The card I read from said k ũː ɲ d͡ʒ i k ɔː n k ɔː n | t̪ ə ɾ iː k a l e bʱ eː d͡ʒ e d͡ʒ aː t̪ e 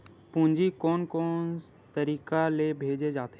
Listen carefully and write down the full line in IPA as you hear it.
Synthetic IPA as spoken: p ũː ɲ d͡ʒ i k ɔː n k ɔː n | t̪ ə ɾ iː k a l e bʱ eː d͡ʒ e d͡ʒ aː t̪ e